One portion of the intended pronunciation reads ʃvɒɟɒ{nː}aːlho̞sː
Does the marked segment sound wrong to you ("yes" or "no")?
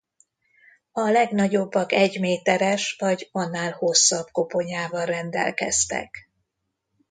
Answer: no